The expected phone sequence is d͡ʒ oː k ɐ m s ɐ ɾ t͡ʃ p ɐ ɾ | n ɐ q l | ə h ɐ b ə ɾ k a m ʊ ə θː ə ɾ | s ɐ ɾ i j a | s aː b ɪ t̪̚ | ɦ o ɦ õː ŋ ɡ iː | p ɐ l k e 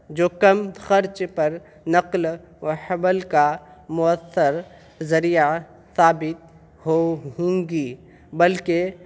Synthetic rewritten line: d͡ʒ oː k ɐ m x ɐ ɾ t͡ʃ p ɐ ɾ | n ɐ q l | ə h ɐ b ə l k a m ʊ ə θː ə ɾ | z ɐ ɾ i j a | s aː b ɪ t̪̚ | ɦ o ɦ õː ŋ ɡ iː | b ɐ l k e